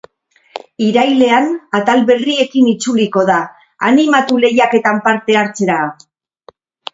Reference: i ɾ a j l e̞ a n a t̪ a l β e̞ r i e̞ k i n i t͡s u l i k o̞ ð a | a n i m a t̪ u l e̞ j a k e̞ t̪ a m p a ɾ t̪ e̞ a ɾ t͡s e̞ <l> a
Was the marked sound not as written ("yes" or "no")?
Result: yes